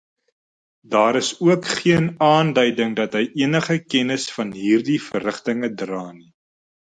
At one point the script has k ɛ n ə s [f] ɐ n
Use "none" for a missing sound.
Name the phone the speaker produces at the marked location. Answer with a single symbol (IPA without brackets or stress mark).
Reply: f